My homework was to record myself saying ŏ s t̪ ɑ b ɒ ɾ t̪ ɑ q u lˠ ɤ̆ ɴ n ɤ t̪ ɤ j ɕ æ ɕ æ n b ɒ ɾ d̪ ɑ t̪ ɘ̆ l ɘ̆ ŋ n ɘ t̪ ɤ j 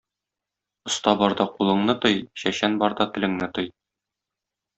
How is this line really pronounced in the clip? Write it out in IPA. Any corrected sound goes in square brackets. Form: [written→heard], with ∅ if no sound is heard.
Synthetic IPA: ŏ s t̪ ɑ b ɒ ɾ [t̪→d̪] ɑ q u lˠ ɤ̆ ɴ n ɤ t̪ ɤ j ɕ æ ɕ æ n b ɒ ɾ d̪ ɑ t̪ ɘ̆ l ɘ̆ ŋ n ɘ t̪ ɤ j